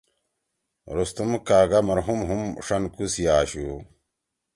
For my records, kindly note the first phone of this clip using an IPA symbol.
ɾ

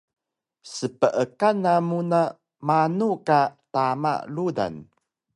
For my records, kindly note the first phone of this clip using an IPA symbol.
s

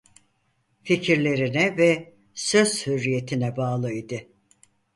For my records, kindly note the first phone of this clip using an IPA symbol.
f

